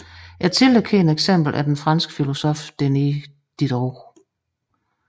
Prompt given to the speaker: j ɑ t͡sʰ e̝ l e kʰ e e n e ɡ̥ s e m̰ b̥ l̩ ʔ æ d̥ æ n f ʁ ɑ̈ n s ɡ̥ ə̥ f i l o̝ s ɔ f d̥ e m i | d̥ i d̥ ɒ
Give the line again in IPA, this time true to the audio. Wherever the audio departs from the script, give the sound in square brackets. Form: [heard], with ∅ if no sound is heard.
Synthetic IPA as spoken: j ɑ t͡sʰ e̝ l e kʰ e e n e ɡ̥ s e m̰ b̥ l̩ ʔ æ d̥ [e] n f ʁ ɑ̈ n s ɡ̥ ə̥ f i l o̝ s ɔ f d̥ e [n] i | d̥ i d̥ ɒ